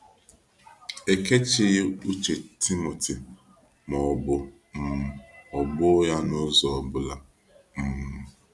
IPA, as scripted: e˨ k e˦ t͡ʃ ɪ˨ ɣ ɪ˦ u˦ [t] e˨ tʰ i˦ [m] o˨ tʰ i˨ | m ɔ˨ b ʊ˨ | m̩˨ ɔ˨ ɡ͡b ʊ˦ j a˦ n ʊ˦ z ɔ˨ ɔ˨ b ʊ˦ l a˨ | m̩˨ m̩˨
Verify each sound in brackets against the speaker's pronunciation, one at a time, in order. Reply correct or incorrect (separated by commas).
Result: incorrect, correct